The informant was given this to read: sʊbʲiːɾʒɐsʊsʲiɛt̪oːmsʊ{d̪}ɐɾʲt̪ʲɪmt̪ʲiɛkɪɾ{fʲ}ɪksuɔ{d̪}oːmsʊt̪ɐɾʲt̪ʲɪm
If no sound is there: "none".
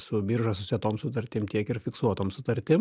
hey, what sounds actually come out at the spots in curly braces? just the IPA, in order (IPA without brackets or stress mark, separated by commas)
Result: t̪, fʲ, t̪